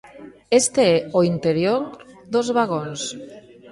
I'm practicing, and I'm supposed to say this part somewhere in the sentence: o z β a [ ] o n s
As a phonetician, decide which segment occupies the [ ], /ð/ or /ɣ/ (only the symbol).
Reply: ɣ